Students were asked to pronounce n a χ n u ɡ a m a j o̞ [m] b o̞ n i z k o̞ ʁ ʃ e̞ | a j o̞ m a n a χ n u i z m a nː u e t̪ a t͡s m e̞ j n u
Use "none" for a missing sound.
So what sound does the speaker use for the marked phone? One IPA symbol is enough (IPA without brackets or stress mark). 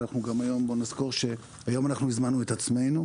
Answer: m